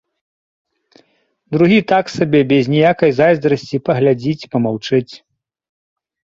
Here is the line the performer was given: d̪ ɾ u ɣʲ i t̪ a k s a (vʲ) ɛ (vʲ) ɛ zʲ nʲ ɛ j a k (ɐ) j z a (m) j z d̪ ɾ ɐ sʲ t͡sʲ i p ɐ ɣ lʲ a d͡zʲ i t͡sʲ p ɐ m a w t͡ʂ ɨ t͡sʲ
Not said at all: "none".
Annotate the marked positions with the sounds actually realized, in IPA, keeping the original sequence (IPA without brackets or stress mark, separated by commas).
bʲ, bʲ, ɐ, none